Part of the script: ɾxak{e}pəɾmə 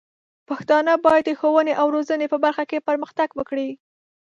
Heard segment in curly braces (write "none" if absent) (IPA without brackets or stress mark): e